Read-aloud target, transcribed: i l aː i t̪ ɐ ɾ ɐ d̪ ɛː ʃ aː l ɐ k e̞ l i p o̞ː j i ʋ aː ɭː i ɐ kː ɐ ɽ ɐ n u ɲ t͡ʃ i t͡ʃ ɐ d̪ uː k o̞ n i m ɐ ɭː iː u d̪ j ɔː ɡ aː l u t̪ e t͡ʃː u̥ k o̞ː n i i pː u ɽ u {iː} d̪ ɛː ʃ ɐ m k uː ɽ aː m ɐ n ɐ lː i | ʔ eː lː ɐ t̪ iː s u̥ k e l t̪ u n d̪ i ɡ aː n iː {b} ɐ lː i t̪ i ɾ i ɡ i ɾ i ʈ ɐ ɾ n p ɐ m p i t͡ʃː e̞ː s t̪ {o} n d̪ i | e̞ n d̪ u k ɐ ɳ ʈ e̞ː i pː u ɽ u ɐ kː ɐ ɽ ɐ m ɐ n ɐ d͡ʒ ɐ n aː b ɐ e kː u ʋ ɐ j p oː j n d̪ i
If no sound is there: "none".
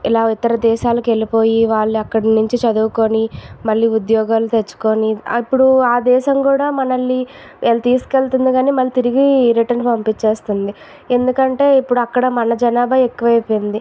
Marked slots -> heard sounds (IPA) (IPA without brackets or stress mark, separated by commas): aː, m, u